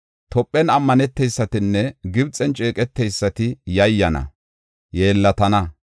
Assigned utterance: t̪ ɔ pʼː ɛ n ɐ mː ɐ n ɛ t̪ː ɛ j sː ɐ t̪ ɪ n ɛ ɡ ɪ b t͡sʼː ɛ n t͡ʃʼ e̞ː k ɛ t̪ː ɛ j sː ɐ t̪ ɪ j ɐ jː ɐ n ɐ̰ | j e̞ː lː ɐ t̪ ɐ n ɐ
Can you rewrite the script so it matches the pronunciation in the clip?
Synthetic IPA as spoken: t̪ ɔ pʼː ɛ n ɐ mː ɐ n ɛ t̪ː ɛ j sː ɐ t̪ ɪ nː ɛ ɡ ɪ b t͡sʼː ɛ n t͡ʃʼ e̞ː kʼ ɛ t̪ː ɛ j sː ɐ t̪ ɪ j ɐ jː ɐ n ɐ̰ | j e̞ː lː ɐ t̪ ɐ n ɐ